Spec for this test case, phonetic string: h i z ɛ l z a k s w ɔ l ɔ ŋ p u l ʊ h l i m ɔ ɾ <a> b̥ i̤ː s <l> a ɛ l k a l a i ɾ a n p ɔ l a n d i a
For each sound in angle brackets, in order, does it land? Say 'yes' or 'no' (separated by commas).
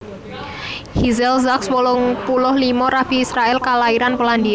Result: yes, no